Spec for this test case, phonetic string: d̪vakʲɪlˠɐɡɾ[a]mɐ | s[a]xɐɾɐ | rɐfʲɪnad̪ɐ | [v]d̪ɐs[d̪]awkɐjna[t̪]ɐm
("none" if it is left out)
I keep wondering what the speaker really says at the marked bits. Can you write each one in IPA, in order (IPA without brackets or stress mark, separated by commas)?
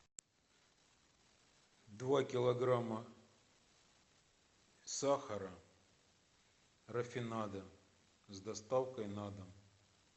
a, a, z, t̪, d̪